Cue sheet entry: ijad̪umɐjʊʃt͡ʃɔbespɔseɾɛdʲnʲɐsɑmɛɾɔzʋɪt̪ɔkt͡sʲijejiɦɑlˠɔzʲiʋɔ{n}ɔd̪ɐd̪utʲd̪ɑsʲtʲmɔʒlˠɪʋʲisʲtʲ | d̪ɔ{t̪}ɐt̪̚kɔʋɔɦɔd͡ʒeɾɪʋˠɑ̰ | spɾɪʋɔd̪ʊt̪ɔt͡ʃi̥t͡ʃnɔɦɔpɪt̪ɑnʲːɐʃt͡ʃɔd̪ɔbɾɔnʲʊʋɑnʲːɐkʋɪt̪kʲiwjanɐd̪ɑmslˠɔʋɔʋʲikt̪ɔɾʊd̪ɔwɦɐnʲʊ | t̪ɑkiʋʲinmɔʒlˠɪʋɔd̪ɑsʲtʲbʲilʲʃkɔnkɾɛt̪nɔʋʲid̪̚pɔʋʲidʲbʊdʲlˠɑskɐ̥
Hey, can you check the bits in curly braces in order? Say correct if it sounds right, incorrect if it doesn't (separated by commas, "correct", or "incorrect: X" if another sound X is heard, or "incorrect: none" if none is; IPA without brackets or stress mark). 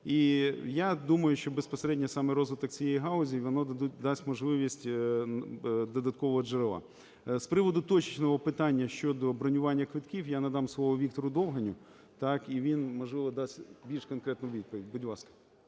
correct, incorrect: d̪